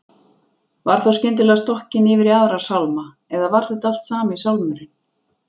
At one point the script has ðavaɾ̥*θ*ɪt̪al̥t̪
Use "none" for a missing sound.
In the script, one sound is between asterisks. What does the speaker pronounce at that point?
θ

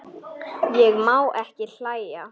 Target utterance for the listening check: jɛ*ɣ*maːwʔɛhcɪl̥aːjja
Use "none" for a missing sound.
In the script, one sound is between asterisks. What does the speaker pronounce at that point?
ɣ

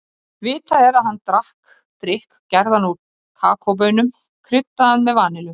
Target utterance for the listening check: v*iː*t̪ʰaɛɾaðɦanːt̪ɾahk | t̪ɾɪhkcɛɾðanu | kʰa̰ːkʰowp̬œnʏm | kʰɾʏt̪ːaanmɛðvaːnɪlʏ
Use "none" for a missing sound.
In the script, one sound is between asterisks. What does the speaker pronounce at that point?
ɪː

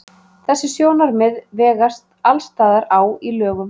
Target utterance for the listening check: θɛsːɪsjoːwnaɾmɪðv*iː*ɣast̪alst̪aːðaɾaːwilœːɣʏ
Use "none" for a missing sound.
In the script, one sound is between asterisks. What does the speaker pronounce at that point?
ɛː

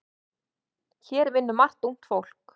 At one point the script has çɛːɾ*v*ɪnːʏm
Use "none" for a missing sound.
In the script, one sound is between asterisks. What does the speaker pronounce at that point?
v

